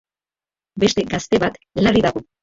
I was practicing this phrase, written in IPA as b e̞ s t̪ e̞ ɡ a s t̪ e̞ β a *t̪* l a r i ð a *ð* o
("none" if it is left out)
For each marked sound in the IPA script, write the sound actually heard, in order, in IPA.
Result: t̪, ɣ

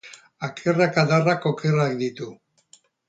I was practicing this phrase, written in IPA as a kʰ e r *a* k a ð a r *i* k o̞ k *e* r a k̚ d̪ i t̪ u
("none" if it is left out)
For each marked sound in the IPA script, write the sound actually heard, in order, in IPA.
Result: a, a, e

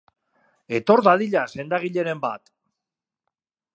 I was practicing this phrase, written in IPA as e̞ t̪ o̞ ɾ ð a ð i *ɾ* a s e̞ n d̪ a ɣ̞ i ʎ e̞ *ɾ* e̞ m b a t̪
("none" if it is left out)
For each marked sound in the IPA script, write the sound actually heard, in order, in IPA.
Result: ʎ, ɾ

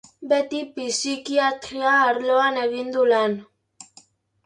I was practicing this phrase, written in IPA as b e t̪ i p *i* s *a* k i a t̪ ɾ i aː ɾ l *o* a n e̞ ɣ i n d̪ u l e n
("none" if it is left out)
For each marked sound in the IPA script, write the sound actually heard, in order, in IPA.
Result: i, i, o

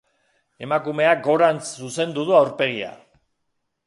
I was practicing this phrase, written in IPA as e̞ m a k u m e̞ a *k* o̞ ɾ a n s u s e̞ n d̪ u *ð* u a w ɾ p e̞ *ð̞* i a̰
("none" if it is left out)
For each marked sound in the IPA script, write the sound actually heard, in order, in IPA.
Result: ɡ, ð, ɣ̞

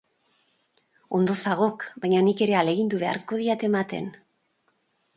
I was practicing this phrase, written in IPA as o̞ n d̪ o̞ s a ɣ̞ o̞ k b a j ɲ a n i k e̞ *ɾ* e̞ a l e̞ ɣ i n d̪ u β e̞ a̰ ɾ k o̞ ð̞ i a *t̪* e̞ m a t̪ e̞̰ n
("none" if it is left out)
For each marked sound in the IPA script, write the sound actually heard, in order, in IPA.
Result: ɾ, t̪

